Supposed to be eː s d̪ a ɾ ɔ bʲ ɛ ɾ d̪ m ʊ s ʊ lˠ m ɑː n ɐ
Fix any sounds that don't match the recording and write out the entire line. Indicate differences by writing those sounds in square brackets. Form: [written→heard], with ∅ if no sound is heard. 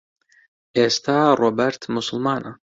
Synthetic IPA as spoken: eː s [d̪→t̪] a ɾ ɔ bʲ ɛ ɾ [d̪→t̪] m ʊ s ʊ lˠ m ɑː n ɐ